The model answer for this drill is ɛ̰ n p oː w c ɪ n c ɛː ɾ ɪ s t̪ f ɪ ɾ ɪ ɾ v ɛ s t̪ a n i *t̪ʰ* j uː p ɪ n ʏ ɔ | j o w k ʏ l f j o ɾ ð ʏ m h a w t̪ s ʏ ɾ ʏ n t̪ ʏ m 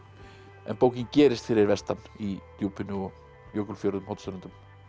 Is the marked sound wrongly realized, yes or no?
yes